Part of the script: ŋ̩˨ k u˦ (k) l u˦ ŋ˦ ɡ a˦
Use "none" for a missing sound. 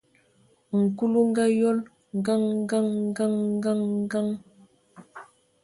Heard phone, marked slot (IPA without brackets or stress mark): none